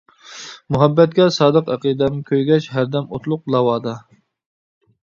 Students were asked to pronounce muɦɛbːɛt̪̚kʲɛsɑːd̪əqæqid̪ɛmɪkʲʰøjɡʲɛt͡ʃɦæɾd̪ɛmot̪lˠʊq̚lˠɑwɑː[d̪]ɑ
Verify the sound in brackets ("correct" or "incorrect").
correct